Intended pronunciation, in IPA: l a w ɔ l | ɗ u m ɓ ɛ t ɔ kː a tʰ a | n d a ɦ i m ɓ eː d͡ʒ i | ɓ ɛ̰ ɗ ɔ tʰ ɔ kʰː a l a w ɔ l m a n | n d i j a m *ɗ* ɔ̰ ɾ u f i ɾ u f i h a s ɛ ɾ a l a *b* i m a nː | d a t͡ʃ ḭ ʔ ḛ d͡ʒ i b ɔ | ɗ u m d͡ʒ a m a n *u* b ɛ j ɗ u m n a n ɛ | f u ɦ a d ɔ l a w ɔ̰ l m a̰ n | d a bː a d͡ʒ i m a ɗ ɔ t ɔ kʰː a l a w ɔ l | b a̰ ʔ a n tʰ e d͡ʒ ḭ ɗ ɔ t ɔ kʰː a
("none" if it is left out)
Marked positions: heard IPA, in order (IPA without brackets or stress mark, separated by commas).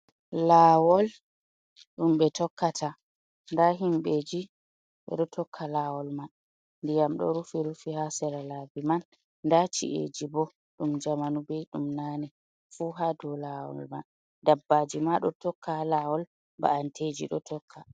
ɗ, b, u